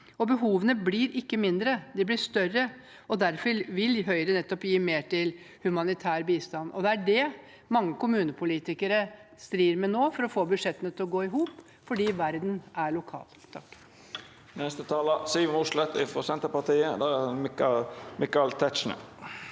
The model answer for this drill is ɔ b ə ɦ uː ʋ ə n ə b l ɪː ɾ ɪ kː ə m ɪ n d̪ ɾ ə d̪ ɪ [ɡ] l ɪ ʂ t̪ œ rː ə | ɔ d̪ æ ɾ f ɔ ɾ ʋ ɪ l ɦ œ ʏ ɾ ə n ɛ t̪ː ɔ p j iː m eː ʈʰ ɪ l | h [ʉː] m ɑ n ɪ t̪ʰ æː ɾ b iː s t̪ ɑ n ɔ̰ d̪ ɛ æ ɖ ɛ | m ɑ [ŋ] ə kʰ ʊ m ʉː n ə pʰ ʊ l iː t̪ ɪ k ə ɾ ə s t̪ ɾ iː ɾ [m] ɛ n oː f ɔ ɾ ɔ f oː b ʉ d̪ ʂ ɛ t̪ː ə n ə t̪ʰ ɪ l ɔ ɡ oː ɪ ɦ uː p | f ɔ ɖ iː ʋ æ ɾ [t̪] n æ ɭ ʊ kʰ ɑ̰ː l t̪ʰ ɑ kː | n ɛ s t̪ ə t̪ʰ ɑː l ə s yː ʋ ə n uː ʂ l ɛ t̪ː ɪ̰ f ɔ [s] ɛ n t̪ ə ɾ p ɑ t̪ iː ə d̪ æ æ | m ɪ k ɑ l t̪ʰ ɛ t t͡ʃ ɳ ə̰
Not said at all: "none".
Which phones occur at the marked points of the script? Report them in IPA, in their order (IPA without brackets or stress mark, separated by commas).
b, ʉ, ŋː, m, d̪, s